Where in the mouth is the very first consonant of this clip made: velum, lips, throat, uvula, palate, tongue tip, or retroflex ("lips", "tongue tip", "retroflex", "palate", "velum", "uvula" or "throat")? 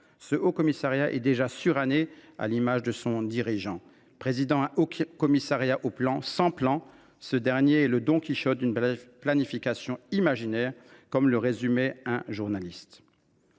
tongue tip